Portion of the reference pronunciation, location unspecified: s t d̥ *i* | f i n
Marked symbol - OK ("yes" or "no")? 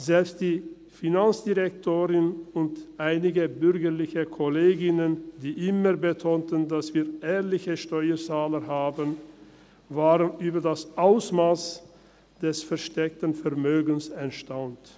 no